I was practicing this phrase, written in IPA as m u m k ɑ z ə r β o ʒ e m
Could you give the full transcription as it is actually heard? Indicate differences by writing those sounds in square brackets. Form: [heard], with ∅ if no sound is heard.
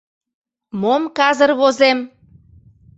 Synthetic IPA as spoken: m [o] m k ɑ z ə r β o [z] e m